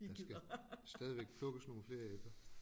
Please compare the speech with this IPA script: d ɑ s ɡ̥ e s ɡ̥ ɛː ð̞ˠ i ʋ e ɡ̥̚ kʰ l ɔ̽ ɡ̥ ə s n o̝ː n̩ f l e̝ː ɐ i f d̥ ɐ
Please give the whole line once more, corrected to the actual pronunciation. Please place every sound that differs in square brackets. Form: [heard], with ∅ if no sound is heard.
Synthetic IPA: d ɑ s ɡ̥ [æ] s [d̥] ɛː ð̞ˠ i ʋ e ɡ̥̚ [pʰ] l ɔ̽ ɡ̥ ə s n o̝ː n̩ f l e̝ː ɐ [e] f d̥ ɐ